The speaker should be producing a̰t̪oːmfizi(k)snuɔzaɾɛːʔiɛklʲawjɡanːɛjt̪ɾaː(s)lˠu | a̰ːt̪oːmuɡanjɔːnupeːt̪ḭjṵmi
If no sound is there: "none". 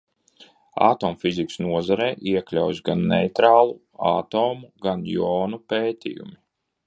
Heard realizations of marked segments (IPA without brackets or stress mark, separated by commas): k, none